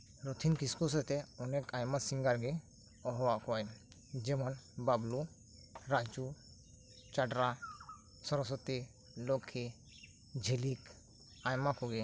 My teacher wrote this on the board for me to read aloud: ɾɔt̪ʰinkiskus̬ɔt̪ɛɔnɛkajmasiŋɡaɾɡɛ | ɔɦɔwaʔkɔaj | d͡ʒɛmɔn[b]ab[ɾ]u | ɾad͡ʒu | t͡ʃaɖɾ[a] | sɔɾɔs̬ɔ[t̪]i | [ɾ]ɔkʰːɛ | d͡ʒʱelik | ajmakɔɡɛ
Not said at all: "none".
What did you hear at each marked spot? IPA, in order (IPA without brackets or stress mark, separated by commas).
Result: b, l, a, t̪, l